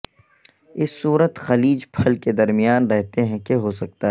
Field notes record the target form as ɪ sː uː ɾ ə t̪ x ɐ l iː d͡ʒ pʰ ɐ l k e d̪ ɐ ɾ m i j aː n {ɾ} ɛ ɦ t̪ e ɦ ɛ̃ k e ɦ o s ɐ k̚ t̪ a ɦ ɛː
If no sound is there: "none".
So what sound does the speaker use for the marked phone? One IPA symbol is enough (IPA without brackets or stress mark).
ɾ